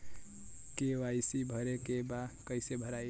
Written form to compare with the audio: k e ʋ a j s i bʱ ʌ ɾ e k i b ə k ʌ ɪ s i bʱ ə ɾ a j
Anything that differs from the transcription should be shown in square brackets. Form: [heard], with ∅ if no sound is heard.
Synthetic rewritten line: k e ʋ a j s i bʱ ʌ ɾ e k [e] b [a] k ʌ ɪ s [e] bʱ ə ɾ a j